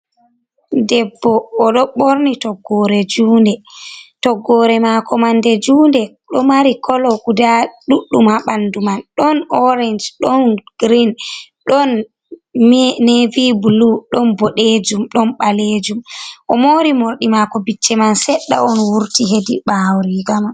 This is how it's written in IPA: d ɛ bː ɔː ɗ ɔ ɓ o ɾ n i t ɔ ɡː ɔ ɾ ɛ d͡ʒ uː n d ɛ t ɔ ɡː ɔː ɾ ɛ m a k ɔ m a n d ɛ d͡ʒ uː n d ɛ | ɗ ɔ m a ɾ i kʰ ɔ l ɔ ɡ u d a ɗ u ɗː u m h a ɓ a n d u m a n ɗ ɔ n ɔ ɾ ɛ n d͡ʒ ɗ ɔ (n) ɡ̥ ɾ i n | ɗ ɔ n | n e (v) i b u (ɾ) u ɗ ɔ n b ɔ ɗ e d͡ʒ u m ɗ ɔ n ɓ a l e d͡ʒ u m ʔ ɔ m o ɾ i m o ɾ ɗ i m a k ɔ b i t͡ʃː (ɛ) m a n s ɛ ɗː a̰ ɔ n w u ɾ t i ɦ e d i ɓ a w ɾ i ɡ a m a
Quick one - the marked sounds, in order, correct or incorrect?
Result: correct, correct, incorrect, correct

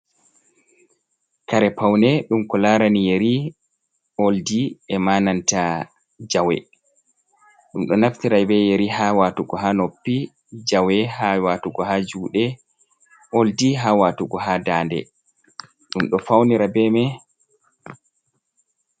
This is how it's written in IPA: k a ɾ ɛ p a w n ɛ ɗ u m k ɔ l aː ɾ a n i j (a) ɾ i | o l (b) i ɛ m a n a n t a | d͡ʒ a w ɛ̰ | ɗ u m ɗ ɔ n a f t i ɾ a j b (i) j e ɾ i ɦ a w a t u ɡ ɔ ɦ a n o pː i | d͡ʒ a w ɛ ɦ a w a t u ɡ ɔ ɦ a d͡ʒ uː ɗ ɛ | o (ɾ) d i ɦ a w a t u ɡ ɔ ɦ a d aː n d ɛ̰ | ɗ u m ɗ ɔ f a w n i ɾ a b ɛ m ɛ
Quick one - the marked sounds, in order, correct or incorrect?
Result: incorrect, incorrect, incorrect, incorrect

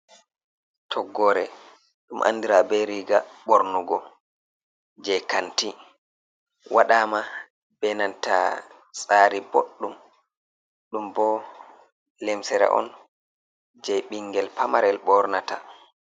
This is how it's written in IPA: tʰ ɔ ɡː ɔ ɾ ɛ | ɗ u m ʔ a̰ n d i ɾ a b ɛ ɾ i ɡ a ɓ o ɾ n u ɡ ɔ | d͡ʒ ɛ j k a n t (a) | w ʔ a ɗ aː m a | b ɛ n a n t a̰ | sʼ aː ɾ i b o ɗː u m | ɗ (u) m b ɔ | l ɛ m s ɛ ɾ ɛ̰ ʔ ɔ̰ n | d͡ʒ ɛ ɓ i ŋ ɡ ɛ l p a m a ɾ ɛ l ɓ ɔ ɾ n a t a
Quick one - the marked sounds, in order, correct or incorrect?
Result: incorrect, correct

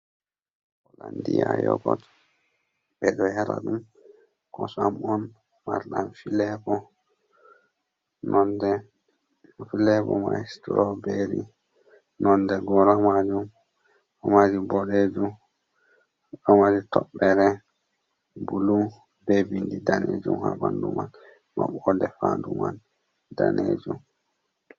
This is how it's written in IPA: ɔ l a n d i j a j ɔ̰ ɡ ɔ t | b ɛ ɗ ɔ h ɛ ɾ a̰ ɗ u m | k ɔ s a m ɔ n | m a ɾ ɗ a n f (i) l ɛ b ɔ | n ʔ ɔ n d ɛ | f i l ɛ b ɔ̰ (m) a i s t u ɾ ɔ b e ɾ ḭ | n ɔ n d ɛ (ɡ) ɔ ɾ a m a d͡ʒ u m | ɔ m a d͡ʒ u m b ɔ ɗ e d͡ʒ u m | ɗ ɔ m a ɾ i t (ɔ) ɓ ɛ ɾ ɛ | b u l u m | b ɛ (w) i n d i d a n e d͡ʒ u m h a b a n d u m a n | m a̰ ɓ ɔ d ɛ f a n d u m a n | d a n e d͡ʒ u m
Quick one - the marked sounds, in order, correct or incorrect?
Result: correct, correct, correct, correct, incorrect

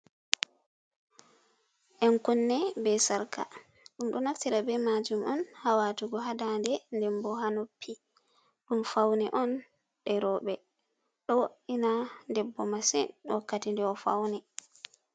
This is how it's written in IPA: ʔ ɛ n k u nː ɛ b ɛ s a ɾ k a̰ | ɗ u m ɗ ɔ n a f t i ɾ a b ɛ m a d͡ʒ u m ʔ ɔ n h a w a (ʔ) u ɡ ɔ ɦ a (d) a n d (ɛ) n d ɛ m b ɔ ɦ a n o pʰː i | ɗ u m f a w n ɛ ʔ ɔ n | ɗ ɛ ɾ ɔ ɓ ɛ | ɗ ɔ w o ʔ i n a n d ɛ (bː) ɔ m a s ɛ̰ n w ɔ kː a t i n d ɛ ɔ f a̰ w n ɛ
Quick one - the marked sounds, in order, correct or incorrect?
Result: incorrect, correct, correct, correct

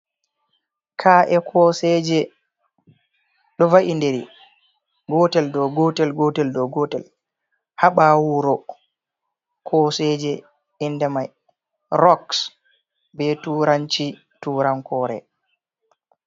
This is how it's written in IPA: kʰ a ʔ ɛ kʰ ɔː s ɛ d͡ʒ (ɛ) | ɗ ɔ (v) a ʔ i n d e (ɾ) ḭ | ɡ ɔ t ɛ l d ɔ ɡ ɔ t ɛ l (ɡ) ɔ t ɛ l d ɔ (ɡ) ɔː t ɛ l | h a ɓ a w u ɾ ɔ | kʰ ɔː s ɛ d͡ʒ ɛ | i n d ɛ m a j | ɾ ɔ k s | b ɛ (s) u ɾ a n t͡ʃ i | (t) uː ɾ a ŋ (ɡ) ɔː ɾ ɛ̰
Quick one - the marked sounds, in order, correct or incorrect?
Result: correct, correct, correct, correct, correct, incorrect, correct, incorrect

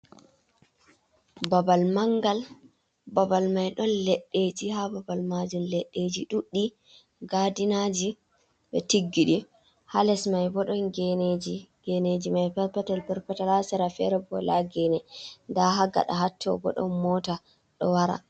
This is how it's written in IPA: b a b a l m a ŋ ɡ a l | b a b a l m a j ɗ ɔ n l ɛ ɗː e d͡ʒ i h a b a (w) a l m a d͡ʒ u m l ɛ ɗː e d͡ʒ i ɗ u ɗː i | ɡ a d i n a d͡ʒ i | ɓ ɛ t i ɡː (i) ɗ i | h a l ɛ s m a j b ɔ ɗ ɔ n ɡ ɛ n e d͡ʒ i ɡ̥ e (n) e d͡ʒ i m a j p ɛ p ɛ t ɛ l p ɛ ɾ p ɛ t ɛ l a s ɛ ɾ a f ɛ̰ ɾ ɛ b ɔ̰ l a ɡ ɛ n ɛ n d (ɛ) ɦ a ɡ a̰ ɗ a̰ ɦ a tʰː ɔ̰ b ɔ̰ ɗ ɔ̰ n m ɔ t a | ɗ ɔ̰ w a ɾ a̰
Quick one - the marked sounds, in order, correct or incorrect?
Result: incorrect, correct, correct, incorrect

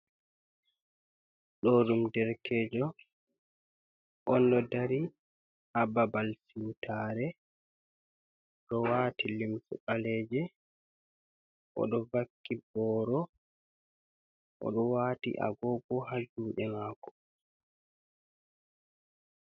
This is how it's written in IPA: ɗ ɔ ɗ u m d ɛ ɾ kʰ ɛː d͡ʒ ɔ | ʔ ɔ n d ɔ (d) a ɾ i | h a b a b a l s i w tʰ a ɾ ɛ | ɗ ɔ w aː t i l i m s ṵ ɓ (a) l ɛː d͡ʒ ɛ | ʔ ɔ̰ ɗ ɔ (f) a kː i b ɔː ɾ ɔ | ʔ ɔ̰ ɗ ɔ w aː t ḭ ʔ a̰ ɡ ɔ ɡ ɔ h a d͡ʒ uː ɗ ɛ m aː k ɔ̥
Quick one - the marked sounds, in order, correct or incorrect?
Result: correct, correct, incorrect

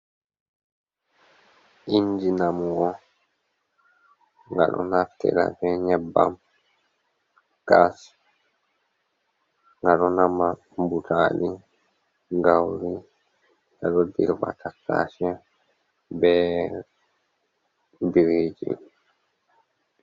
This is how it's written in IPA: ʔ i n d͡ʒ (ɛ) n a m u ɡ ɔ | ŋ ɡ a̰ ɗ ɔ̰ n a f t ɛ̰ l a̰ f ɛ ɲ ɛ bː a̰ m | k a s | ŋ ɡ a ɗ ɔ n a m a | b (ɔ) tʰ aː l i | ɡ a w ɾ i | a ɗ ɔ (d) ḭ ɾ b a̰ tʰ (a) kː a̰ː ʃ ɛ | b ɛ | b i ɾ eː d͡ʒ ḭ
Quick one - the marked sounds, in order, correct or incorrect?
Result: incorrect, incorrect, correct, correct

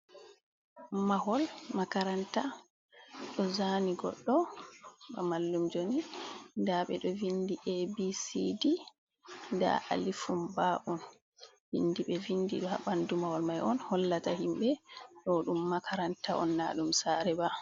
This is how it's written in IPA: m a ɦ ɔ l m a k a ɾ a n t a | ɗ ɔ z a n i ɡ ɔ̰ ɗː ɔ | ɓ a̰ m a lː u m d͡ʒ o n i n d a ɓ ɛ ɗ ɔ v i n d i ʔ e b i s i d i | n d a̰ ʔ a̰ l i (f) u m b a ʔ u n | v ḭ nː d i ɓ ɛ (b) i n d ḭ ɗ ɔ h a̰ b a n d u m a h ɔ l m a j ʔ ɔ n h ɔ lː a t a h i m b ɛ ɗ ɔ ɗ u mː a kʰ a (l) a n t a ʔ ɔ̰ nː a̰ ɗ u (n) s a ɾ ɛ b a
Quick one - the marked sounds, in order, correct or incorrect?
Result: correct, incorrect, incorrect, incorrect

